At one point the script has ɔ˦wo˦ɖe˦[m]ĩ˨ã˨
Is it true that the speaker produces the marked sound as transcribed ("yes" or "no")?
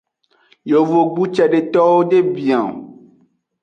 no